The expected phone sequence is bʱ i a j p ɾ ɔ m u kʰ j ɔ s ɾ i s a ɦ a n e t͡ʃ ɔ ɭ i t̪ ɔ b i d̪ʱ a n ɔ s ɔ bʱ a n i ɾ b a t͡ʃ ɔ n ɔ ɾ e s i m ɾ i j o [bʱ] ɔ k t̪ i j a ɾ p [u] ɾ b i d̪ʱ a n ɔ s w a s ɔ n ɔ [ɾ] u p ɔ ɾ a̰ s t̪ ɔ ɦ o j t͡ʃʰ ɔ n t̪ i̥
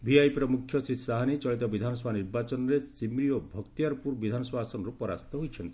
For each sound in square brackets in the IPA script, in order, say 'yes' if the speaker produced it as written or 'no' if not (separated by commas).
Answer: yes, yes, yes